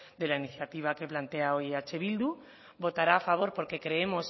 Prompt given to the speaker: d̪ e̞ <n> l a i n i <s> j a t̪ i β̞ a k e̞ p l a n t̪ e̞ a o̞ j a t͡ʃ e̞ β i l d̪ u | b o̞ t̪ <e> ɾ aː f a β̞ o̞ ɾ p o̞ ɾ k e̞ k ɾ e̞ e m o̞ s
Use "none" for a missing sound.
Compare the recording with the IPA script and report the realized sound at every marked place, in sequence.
none, θ, a

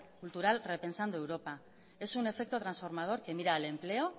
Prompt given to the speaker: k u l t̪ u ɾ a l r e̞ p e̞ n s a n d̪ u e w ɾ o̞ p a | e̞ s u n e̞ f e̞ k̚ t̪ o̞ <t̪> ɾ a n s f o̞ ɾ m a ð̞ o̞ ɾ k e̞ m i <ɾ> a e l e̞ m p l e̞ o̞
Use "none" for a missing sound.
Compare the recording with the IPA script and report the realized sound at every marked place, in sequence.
t̪, ɾ

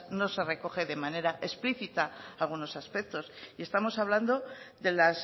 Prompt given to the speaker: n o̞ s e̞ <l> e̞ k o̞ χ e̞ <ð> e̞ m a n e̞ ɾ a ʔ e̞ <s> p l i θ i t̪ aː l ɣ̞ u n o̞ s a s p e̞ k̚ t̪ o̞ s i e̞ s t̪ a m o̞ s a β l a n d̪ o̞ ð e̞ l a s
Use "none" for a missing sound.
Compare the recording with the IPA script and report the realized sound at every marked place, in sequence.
r, ð, s

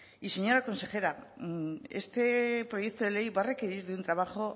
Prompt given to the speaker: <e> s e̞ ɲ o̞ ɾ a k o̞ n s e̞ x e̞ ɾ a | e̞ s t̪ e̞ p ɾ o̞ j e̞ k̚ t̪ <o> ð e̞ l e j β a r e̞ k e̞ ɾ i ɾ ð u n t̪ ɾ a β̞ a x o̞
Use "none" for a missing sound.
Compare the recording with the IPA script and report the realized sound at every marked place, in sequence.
i, o

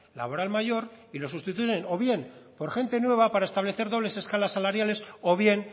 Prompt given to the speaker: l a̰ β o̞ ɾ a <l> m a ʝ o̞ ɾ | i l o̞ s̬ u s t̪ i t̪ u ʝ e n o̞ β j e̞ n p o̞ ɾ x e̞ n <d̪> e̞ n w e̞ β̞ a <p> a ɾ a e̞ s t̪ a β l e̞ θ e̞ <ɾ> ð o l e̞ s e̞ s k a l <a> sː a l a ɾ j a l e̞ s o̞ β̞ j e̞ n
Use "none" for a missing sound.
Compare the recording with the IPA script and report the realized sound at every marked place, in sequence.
l, t̪, p, ɾ, a

